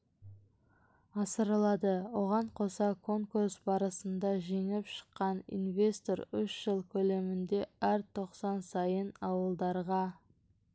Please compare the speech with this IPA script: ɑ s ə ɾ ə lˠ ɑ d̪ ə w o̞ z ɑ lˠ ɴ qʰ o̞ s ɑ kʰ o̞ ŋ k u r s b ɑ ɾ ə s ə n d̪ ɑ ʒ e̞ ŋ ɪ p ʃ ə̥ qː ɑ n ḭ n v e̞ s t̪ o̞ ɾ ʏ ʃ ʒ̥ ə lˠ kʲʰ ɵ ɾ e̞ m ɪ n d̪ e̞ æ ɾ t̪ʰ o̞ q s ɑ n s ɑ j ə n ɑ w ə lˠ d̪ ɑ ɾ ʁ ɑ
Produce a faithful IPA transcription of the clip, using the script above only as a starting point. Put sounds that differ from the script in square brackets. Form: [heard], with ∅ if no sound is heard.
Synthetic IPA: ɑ s ə ɾ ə lˠ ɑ d̪ ə w o̞ [ʁ] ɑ [∅] ɴ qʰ o̞ s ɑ kʰ o̞ ŋ k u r s b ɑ ɾ ə s ə n d̪ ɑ ʒ e̞ ŋ ɪ p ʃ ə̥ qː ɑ n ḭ n v e̞ s t̪ o̞ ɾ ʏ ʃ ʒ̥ ə lˠ kʲʰ ɵ [l] e̞ m ɪ n d̪ e̞ æ ɾ t̪ʰ o̞ q s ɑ n s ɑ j ə n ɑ w ə lˠ d̪ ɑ ɾ ʁ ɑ